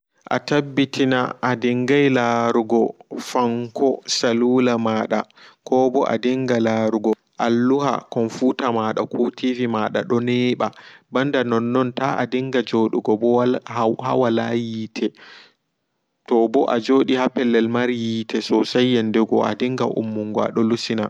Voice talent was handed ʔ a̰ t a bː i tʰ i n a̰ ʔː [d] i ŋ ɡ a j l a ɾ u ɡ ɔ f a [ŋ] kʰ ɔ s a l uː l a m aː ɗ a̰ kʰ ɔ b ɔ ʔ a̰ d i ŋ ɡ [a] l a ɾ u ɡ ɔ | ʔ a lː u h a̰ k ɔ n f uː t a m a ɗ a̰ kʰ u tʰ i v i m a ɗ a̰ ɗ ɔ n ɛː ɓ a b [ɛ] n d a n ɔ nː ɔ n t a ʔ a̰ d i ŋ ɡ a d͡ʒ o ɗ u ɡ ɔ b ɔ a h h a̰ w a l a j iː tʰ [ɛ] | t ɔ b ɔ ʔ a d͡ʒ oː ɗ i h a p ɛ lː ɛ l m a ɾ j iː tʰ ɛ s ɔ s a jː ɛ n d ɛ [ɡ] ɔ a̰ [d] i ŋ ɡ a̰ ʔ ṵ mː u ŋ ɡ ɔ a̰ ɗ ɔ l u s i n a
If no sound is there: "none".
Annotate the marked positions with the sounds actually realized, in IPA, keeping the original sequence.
d, ŋ, a, a, ɛ, ɡ, d

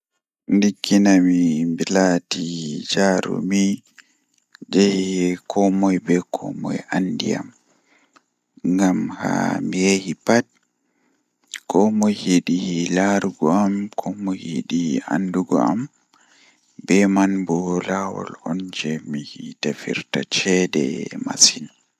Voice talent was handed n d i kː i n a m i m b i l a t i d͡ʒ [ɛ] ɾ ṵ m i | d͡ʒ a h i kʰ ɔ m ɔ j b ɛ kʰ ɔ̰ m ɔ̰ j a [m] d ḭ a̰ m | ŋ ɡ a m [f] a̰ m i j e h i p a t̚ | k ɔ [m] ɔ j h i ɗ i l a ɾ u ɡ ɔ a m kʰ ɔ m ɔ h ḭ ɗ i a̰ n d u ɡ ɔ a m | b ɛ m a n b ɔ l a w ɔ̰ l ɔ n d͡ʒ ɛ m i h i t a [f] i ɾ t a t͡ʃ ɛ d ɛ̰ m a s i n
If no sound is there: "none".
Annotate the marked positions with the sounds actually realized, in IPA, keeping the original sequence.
a, n, h, m, f

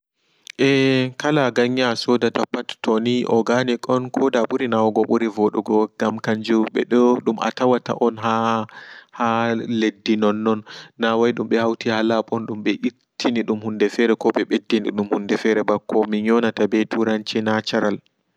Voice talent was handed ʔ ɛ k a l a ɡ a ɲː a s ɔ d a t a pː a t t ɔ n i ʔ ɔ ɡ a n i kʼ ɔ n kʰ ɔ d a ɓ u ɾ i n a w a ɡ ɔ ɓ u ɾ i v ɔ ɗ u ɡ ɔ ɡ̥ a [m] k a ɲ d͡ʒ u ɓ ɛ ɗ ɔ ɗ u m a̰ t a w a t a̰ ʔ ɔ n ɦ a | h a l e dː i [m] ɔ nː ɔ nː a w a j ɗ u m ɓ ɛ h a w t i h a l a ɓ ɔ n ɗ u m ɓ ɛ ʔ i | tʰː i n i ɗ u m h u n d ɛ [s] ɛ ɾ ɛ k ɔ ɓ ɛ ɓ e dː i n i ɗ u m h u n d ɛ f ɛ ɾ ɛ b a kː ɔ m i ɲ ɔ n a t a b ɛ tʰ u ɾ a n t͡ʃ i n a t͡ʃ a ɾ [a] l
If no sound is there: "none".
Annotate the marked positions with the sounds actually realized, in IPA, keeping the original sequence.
m, n, f, a

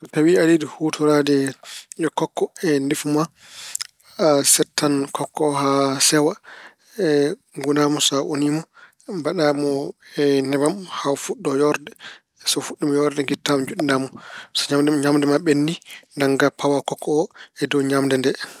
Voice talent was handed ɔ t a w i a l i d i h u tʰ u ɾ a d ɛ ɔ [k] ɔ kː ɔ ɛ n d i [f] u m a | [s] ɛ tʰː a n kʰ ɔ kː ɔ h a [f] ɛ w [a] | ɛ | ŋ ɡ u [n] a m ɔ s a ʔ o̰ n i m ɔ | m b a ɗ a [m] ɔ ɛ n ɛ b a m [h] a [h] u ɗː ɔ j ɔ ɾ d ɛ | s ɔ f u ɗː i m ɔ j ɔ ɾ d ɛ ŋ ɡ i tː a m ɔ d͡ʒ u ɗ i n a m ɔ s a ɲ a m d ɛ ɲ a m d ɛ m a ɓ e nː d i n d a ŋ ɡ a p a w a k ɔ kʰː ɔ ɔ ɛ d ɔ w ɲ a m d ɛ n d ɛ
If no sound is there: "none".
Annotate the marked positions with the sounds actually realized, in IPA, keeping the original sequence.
k, f, s, s, a, n, m, h, f

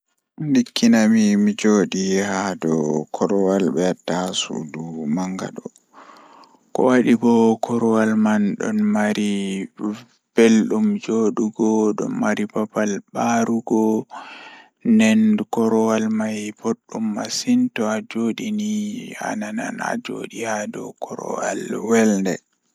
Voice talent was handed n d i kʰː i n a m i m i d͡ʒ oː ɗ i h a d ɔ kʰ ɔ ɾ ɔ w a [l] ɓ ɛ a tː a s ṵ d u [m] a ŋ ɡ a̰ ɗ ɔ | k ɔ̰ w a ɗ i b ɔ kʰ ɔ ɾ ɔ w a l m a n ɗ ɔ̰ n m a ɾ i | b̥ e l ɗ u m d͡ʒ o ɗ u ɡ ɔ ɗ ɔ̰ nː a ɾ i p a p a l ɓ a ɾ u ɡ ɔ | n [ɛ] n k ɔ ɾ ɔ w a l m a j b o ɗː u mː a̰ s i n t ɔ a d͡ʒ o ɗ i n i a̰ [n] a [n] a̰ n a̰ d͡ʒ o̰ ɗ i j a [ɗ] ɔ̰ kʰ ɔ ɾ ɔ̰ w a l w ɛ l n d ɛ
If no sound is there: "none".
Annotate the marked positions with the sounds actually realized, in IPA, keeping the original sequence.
l, m, ɛ, n, n, d

